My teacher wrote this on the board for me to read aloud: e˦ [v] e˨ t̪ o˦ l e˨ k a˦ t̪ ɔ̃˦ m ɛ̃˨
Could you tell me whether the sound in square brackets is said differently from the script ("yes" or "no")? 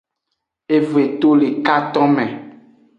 no